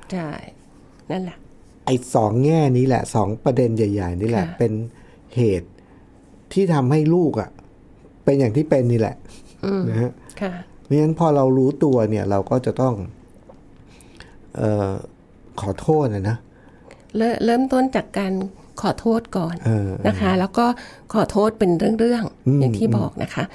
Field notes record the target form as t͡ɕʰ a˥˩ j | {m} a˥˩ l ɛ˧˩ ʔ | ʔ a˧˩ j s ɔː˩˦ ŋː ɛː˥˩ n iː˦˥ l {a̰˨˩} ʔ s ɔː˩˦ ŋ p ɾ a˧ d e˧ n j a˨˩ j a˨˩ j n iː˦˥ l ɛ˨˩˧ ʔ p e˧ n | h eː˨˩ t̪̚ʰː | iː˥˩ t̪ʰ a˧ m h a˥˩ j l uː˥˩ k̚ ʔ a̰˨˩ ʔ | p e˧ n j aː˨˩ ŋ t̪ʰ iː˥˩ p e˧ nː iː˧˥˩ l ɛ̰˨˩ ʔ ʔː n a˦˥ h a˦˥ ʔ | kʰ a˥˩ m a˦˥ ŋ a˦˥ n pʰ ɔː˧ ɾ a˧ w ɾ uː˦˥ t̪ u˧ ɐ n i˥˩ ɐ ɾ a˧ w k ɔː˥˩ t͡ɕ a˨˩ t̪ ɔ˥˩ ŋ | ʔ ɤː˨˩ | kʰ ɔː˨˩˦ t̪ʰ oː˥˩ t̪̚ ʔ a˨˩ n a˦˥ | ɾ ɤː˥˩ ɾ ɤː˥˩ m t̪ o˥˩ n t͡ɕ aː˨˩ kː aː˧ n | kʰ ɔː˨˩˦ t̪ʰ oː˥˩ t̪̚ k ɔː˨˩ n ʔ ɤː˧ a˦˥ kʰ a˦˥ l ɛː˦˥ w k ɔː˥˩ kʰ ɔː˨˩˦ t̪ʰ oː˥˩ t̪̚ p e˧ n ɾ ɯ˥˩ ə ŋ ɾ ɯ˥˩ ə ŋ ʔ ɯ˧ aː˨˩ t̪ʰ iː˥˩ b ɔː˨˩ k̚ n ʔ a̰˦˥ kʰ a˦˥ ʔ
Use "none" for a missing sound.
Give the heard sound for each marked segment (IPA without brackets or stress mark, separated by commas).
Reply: n, ɛ̰˨˩